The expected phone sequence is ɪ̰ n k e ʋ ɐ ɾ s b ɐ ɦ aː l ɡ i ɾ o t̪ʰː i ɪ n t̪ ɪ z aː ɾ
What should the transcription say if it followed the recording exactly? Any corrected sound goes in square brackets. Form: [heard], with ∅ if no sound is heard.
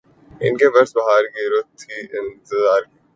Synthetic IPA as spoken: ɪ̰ n k e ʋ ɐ ɾ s b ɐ ɦ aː [ɾ] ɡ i ɾ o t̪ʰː i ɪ n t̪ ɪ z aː ɾ